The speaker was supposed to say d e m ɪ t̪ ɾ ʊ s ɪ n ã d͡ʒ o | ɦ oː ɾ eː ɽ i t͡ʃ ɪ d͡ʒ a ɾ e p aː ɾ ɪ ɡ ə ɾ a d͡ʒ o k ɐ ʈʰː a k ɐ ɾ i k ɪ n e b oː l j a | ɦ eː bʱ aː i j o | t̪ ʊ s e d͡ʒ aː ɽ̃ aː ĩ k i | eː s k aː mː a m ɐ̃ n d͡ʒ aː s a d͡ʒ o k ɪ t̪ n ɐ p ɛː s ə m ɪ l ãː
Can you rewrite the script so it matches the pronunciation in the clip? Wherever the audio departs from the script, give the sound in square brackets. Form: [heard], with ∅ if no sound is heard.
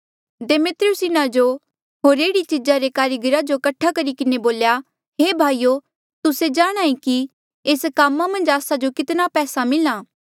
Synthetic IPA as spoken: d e m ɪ t̪ ɾ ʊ s ɪ n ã d͡ʒ o | ɦ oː ɾ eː ɽ i t͡ʃ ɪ d͡ʒ a ɾ e [k] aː ɾ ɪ ɡ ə ɾ a d͡ʒ o k ɐ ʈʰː a k ɐ ɾ i k ɪ n e b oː l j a | ɦ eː bʱ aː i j o | t̪ ʊ s e d͡ʒ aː ɽ̃ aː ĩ k i | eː s k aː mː a m ɐ̃ n d͡ʒ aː s a d͡ʒ o k ɪ t̪ n [a] p ɛː s [a] m ɪ l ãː